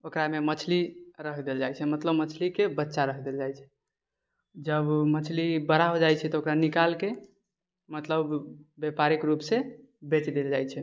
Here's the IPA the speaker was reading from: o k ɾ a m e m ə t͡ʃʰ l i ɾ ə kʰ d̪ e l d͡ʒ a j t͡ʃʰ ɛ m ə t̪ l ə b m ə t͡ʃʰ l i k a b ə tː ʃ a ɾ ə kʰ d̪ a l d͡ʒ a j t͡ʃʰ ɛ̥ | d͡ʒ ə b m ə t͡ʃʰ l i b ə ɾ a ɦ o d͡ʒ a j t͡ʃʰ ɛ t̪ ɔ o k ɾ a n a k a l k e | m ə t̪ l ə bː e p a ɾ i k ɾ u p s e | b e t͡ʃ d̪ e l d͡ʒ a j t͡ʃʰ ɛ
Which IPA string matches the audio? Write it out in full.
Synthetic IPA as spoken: o k ɾ a m e m ə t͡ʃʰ l i ɾ ə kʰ d̪ e l d͡ʒ a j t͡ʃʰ ɛ m ə t̪ l ə b m ə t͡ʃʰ l i k e b ə tː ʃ a ɾ ə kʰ d̪ e l d͡ʒ a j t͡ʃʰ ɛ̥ | d͡ʒ ə b m ə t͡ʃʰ l i b ə ɾ a ɦ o d͡ʒ a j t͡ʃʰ ɛ t̪ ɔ o k ɾ a n i k a l k e | m ə t̪ l ə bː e p a ɾ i k ɾ u p s e | b e t͡ʃ d̪ e l d͡ʒ a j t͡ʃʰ ɛ

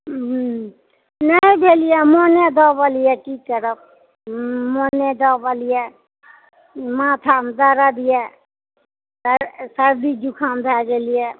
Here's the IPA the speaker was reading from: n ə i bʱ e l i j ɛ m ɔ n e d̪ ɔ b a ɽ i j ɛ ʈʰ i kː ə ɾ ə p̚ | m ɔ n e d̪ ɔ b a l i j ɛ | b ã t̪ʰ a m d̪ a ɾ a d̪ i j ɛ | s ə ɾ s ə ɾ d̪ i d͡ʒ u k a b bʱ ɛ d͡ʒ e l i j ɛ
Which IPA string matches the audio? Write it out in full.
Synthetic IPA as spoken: n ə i bʱ e l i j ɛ m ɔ n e d̪ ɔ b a l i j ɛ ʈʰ i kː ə ɾ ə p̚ | m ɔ n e d̪ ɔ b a l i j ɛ | m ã t̪ʰ a m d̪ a ɾ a d̪ i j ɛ | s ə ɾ s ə ɾ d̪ i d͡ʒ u kʰ a m bʱ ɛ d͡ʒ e l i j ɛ

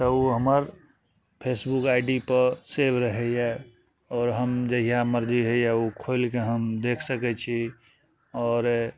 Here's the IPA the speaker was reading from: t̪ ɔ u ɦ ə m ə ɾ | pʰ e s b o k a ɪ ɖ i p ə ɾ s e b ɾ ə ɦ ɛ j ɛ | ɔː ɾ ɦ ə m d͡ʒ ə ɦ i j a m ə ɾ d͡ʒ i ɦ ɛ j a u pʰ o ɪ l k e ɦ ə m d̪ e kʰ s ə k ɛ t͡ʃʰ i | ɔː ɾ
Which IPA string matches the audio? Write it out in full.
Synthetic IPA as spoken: t̪ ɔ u ɦ ə m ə ɾ | pʰ e s b u k a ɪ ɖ i p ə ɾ s e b ɾ ə ɦ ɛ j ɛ | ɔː ɾ ɦ ə m d͡ʒ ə ɦ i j a m ə ɾ d͡ʒ i ɦ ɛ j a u kʰ o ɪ l k e ɦ ə m d̪ e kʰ s ə k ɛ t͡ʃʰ i | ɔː ɾ

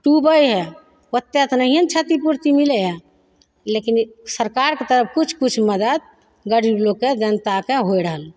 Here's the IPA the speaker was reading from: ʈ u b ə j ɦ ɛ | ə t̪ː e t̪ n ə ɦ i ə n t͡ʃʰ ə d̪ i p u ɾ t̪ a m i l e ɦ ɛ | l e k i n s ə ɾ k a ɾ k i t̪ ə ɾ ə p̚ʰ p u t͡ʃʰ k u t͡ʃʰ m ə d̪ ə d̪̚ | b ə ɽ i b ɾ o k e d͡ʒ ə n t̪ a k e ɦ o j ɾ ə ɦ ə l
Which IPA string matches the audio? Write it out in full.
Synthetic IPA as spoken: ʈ u b ə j ɦ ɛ | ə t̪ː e t̪ n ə ɦ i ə n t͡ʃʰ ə t̪ i p u ɾ t̪ i m i l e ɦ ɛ | l e k i n s ə ɾ k a ɾ k e t̪ ə ɾ ə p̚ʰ k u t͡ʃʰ k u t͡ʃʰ m ə d̪ ə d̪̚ | ɡ ə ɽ i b l o k e d͡ʒ ə n t̪ a k e ɦ o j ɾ ə ɦ ə l

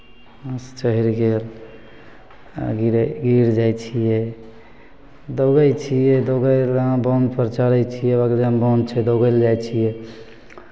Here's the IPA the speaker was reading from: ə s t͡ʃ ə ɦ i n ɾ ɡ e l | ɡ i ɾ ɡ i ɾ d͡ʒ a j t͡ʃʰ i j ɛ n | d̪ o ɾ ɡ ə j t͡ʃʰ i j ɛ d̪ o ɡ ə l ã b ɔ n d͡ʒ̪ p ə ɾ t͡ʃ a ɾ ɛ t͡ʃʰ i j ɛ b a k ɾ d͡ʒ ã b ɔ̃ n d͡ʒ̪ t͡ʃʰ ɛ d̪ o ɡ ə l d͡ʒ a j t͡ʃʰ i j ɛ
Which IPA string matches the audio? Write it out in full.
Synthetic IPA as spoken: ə s t͡ʃ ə ɦ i ɾ ɡ e l | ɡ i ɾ ɡ i ɾ d͡ʒ a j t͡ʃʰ i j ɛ | d̪ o ɡ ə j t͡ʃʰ i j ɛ d̪ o ɡ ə l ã b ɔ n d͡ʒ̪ p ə ɾ t͡ʃ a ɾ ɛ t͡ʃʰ i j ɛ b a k ɾ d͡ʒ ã b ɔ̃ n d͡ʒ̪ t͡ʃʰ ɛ d̪ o ɡ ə l d͡ʒ a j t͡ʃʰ i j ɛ

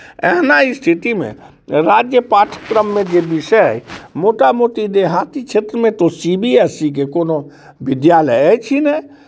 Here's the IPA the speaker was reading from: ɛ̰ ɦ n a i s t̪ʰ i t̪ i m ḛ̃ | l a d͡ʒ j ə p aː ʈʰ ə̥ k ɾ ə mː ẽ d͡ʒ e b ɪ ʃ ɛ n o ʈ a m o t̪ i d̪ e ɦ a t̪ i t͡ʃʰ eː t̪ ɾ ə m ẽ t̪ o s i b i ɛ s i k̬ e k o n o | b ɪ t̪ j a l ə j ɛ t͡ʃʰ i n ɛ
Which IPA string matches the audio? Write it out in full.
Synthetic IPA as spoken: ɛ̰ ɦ n a i s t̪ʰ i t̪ i m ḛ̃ | ɾ a d͡ʒ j ə p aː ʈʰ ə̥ k ɾ ə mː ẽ d͡ʒ e b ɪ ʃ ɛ m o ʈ a m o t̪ i d̪ e ɦ a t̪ i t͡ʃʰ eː t̪ ɾ ə m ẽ t̪ o s i b i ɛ s i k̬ e k o n o | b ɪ d̪ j a l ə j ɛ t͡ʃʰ i n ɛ

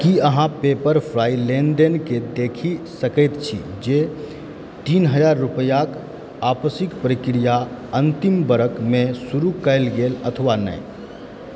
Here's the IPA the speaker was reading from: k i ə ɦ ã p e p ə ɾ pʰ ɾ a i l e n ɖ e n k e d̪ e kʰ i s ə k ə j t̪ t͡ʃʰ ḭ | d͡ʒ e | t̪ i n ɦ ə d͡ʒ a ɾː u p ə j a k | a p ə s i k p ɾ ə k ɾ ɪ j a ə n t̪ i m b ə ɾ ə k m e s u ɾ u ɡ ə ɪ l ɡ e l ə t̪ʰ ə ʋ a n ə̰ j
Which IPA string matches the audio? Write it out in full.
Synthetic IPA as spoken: k i ə ɦ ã p e p ə ɾ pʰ ɾ a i l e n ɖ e n k e d̪ e kʰ i s ə k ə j t̪ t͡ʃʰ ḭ | d͡ʒ e | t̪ i n ɦ ə d͡ʒ a ɾː u p ə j a k | a p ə s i k p ɾ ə k ɾ i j a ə n t̪ i m b ə ɾ ə k m e s u ɾ u k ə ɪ l ɡ e l ə t̪ʰ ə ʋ a n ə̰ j

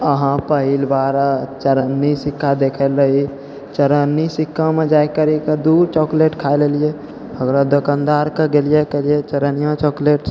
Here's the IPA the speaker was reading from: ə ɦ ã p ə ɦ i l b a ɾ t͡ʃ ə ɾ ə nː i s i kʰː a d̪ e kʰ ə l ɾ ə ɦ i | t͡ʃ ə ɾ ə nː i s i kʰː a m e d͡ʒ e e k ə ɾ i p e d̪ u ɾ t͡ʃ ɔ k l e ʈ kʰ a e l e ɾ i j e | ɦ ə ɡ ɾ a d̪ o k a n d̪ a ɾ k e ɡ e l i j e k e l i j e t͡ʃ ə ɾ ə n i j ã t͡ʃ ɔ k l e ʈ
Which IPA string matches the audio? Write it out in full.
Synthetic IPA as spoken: ə ɦ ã p ə ɦ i l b a ɾ t͡ʃ ə ɾ ə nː i s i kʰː a d̪ e kʰ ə l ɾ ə ɦ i | t͡ʃ ə ɾ ə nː i s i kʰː a m e d͡ʒ a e k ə ɾ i k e d̪ u ɾ t͡ʃ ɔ k l e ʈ kʰ a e l e l i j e | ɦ ə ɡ ɾ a d̪ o k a n d̪ a ɾ k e ɡ e l i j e k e l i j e t͡ʃ ə ɾ ə n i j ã t͡ʃ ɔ k l e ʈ

